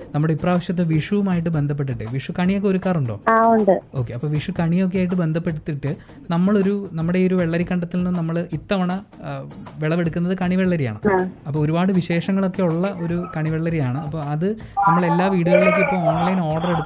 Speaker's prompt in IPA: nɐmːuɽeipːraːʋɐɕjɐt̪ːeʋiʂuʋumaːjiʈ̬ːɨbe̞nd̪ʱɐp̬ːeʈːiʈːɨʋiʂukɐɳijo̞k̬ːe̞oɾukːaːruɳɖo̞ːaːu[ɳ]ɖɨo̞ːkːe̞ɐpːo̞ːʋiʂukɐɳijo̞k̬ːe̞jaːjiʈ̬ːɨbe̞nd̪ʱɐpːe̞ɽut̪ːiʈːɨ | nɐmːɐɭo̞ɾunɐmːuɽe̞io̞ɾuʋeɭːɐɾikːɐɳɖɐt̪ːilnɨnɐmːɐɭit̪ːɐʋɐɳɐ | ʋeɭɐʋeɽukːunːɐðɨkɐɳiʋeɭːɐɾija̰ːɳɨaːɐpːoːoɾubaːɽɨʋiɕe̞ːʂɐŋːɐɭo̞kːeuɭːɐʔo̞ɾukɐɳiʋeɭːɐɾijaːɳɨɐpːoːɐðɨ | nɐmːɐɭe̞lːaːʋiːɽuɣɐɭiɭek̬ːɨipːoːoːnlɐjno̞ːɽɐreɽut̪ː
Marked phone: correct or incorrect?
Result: correct